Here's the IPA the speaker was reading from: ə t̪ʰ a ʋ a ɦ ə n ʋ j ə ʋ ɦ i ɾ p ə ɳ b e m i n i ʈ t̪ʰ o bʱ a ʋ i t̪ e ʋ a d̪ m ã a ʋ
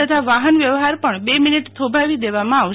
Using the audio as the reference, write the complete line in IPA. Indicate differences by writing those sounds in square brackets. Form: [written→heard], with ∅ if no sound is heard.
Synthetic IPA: ə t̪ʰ a ʋ a ɦ ə n ʋ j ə ʋ ɦ [i→a] ɾ p ə ɳ b e m i n i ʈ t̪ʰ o bʱ a ʋ i [t̪→d̪] e ʋ a [d̪→∅] m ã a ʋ